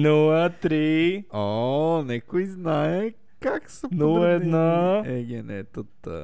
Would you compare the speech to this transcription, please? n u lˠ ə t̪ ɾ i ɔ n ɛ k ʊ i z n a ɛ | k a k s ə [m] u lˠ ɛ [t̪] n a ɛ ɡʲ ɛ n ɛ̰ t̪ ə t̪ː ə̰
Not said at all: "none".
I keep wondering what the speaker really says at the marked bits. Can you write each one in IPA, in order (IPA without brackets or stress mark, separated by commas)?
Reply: n, d̪